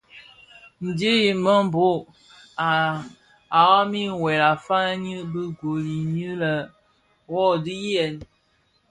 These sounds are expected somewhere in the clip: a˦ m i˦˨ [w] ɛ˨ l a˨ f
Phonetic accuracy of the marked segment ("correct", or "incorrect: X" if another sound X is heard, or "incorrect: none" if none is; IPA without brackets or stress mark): correct